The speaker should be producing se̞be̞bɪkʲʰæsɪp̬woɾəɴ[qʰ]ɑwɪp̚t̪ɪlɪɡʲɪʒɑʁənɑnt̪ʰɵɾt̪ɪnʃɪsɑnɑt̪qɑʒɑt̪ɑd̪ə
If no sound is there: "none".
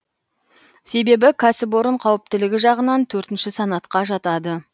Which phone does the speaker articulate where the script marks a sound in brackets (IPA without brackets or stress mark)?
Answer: qʰ